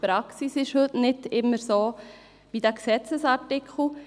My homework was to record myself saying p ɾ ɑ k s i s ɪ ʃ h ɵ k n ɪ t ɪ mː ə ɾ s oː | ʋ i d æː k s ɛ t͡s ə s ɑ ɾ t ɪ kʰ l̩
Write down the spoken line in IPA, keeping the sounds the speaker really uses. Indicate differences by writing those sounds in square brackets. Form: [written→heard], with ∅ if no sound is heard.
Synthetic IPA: p ɾ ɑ k s i s ɪ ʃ h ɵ [k→t] n ɪ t ɪ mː ə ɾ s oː | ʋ i d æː k s ɛ t͡s ə s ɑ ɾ t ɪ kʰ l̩